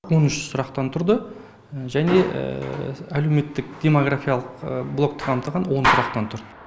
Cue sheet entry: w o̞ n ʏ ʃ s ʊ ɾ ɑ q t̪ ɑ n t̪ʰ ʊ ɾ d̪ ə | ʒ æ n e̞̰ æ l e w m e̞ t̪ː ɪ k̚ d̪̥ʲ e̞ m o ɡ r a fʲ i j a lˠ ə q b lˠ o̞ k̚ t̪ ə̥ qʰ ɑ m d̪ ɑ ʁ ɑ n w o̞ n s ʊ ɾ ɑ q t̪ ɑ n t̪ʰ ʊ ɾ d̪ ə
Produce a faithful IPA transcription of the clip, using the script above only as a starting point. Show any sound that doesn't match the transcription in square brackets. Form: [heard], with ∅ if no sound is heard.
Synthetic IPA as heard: w o̞ n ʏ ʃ s ʊ ɾ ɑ q t̪ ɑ n t̪ʰ ʊ ɾ d̪ ə | ʒ æ n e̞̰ æ l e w m e̞ t̪ː ɪ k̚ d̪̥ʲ e̞ m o ɡ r a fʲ i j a lˠ ə q b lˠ o̞ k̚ t̪ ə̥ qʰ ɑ m [t̪] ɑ ʁ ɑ n w o̞ n s ʊ ɾ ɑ q t̪ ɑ n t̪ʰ ʊ ɾ d̪ ə